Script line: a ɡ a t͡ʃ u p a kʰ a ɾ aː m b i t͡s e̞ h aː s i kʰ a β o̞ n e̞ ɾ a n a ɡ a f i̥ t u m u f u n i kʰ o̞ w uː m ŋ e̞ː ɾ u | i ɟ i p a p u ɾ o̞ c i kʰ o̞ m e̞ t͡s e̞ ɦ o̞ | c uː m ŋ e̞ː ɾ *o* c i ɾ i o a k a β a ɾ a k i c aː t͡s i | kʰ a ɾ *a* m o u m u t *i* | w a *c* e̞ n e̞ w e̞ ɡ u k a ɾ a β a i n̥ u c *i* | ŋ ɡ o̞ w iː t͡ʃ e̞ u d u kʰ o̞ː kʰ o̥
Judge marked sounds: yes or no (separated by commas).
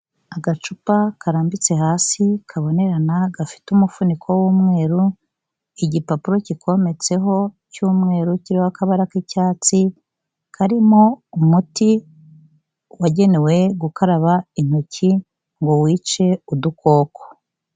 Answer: no, no, yes, no, yes